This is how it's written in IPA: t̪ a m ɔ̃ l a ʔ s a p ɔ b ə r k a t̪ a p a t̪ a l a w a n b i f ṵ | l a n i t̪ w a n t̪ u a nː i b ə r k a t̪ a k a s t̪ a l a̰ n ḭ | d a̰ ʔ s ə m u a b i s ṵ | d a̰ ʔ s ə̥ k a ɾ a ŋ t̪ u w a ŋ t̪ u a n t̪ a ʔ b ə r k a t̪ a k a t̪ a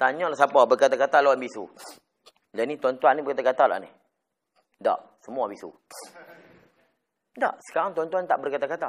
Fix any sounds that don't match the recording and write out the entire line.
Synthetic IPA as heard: t̪ a ɲ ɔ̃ l a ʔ s a p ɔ b ə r k a t̪ a k a t̪ a l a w a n b i s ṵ | l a n i t̪ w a n t̪ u a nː i b ə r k a t̪ a k a t̪ a l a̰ n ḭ | d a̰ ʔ s ə m u a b i s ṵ | d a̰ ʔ s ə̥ k a ɾ a ŋ t̪ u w a n t̪ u a n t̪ a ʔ b ə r k a t̪ a k a t̪ a